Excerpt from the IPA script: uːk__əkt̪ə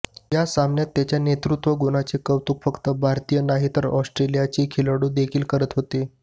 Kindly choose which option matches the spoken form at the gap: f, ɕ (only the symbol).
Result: f